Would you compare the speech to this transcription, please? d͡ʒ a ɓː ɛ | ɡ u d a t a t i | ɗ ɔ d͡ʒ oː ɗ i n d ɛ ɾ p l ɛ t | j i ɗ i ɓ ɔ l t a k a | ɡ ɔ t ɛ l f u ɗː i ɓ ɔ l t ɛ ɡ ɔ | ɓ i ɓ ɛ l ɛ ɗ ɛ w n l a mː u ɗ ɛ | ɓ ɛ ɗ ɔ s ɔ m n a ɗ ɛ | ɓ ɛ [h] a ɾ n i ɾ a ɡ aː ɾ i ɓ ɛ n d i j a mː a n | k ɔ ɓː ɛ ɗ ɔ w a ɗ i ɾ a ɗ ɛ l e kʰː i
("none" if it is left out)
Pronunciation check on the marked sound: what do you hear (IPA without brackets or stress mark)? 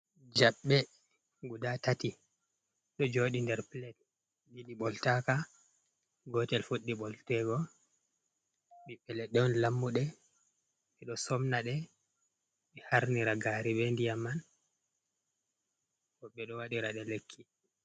h